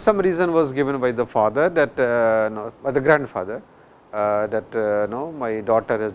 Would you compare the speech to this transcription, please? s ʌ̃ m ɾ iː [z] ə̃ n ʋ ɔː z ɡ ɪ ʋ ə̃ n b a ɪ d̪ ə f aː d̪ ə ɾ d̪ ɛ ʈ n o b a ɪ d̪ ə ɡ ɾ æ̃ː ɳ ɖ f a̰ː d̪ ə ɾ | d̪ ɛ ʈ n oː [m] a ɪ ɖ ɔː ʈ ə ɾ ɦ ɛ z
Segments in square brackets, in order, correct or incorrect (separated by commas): correct, correct